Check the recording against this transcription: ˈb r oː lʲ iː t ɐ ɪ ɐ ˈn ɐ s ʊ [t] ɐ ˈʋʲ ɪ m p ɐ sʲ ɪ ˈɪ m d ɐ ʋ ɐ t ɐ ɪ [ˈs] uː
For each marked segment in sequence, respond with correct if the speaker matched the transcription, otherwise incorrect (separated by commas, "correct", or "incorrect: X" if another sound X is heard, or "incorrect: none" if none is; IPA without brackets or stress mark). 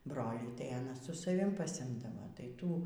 incorrect: s, incorrect: t